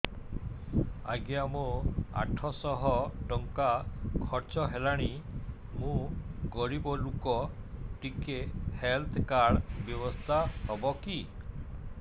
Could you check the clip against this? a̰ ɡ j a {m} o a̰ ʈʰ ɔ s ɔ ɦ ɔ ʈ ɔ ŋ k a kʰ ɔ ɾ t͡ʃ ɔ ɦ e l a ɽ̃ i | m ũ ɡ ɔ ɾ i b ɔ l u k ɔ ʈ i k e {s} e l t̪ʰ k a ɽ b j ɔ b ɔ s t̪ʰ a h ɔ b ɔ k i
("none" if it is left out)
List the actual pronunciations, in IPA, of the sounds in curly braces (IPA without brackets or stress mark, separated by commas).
m, h